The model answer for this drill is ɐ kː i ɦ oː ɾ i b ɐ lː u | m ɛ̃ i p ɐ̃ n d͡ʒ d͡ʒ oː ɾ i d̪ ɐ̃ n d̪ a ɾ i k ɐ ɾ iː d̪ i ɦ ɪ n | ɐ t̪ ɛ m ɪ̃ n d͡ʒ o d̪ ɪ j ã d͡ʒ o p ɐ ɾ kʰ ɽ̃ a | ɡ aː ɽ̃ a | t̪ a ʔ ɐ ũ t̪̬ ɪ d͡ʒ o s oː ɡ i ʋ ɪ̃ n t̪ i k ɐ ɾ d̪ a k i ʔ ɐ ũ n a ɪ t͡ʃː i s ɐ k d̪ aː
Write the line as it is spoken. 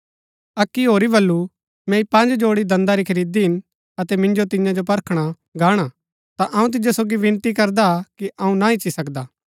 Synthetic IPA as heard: ɐ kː i ɦ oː ɾ i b ɐ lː u | m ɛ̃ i p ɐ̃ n d͡ʒ d͡ʒ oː ɽ i d̪ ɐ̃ n d̪ a ɾ i kʰ ɐ ɾ iː d̪ i ɦ ɪ n | ɐ t̪ ɛ m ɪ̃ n d͡ʒ o t̪ ɪ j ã d͡ʒ o p ɐ ɾ kʰ ɽ̃ a | ɡ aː ɽ̃ a | t̪ a ʔ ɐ ũ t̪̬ ɪ d͡ʒ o s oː ɡ i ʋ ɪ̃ n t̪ i k ɐ ɾ d̪ a k i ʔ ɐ ũ n a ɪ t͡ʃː i s ɐ k d̪ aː